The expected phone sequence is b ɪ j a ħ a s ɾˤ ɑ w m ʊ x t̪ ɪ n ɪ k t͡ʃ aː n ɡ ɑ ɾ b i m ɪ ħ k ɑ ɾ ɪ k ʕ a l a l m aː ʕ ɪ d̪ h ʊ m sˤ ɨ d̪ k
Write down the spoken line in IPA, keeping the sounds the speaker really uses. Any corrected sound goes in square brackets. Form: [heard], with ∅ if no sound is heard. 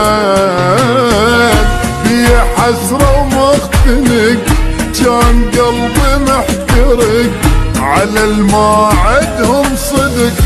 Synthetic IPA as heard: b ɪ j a ħ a s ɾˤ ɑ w m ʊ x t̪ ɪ n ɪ k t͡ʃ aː n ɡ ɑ [l] b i m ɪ ħ k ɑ ɾ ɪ k ʕ a l a l m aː ʕ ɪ d̪ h ʊ m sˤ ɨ d̪ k